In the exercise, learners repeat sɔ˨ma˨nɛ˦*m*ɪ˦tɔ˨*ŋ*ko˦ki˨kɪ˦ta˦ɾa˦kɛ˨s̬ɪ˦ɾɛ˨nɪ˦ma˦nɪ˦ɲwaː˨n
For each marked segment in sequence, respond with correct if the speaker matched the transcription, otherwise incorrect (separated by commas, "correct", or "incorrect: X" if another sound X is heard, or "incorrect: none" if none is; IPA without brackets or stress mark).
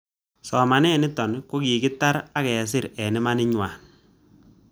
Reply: incorrect: n, incorrect: n